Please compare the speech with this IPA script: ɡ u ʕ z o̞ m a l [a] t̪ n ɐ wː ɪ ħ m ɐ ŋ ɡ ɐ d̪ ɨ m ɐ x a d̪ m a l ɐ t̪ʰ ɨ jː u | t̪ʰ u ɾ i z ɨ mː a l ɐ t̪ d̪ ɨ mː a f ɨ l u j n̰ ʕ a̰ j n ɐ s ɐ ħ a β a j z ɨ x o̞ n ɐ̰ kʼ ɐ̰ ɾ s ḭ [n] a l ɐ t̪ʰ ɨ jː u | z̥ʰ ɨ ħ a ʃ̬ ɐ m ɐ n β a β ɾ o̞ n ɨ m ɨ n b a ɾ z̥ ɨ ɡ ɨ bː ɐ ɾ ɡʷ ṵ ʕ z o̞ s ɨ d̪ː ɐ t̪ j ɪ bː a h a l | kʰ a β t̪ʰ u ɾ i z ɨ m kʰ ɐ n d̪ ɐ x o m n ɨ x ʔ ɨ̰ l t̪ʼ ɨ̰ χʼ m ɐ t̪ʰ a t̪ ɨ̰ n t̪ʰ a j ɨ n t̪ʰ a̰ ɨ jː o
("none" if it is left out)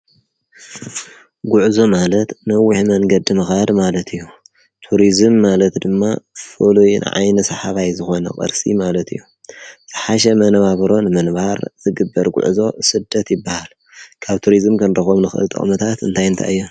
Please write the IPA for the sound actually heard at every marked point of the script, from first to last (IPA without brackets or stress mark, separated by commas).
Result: ɐ, m